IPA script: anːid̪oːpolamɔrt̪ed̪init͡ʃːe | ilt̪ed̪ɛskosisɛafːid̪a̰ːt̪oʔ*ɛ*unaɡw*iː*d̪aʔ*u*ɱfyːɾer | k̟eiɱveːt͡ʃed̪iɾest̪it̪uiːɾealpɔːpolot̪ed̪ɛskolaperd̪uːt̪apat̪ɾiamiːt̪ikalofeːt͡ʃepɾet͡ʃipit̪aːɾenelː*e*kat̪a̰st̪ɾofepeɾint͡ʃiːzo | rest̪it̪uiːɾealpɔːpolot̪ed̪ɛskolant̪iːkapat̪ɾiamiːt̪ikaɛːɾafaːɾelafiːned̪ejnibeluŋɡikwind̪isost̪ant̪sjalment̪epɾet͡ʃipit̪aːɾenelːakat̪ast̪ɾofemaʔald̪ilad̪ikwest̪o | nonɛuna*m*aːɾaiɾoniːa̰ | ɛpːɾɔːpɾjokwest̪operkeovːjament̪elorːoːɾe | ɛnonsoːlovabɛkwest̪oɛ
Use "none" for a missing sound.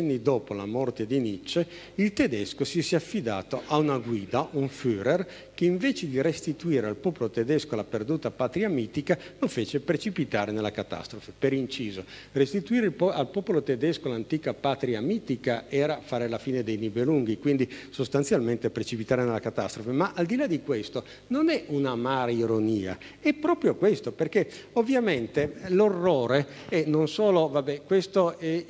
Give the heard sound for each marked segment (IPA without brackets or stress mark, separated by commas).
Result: a, iː, u, a, m